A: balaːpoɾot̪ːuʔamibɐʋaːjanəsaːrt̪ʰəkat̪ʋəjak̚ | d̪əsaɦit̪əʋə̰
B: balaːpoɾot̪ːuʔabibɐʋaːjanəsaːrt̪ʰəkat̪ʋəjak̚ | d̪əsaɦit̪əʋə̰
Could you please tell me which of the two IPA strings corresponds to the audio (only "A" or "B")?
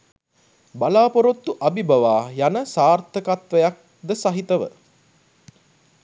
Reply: B